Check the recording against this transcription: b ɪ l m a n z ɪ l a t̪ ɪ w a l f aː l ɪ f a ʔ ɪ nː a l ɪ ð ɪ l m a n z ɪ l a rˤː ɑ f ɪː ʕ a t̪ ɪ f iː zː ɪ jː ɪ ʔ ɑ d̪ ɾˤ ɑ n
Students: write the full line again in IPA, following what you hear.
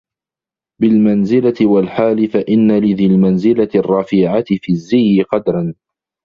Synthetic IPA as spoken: b ɪ l m a n z ɪ l a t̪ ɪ w a l ħ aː l ɪ f a ʔ ɪ nː a l ɪ ð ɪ l m a n z ɪ l a rˤː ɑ f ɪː ʕ a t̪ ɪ f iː zː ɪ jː ɪ q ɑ d̪ ɾˤ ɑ n